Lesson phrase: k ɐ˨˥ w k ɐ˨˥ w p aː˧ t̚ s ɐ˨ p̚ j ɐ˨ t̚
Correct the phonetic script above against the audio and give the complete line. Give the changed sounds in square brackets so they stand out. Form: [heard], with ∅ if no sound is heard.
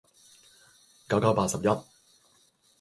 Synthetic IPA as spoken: k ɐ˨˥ w k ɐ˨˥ w p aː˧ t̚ s ɐ˨ p̚ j [ɐ˥] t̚

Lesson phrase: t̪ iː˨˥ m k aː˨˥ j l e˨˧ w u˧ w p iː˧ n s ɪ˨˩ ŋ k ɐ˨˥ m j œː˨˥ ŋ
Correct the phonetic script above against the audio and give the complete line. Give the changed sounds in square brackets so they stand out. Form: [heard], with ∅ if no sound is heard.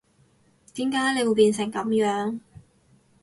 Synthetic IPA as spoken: t̪ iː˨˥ m k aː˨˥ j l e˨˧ w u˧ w p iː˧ n s ɪ˨˩ ŋ k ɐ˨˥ m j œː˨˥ ŋ

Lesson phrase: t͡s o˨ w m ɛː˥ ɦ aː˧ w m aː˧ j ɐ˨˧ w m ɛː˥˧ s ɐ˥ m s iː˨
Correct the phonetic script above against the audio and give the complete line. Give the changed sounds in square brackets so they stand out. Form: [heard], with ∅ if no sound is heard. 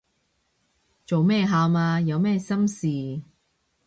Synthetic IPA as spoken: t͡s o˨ w m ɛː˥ ɦ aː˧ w m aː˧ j ɐ˨˧ w m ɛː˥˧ s ɐ˥ m s iː˨

